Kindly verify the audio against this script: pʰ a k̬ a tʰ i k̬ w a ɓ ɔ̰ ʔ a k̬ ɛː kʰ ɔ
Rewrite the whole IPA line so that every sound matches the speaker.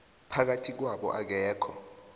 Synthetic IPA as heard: pʰ a k̬ a tʰ i k̬ w a ɓ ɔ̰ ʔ a k̬ ɛː kʰ ɔ